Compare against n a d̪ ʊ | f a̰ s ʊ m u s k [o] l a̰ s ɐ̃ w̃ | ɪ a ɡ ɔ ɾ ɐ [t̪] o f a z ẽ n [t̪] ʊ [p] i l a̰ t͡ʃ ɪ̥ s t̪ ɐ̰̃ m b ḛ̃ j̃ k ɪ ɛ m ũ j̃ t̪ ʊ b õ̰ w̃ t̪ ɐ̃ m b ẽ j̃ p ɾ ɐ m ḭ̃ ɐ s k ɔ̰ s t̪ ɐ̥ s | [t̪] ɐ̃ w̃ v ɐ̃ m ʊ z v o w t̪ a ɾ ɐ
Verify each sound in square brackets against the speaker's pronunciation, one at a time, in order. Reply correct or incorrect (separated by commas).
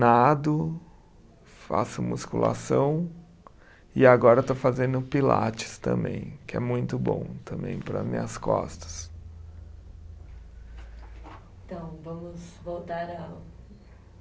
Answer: incorrect, correct, incorrect, correct, correct